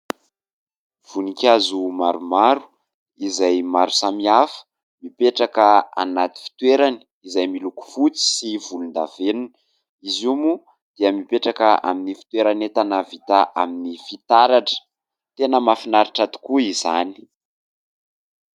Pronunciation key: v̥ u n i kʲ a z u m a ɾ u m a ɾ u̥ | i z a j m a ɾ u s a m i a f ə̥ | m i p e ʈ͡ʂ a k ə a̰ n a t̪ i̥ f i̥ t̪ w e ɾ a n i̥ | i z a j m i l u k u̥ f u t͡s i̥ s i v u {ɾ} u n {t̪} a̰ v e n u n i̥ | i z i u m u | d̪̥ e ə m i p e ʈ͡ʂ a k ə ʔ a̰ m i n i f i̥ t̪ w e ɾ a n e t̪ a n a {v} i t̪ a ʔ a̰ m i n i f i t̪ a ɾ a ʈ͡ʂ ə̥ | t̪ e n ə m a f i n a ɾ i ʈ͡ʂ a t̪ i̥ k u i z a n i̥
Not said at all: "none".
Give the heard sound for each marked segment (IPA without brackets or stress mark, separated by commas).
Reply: l, d̪, v